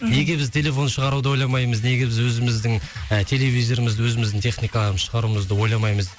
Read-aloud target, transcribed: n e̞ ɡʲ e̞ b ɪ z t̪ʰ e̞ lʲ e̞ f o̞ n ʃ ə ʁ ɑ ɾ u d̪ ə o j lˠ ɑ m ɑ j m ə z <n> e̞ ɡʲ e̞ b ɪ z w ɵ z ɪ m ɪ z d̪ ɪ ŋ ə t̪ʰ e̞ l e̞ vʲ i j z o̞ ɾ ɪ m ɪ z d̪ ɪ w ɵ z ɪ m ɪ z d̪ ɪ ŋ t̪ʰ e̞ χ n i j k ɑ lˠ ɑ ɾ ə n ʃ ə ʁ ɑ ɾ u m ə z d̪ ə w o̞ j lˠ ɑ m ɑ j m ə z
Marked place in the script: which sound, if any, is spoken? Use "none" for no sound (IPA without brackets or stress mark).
n